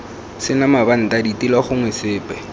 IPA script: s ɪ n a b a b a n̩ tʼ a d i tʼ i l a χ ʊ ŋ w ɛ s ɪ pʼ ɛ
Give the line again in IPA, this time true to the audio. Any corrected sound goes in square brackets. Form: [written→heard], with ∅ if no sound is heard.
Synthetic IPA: s ɪ n a [b→m] a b a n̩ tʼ a d i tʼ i l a χ ʊ ŋ w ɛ s [ɪ→ɪː] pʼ ɛ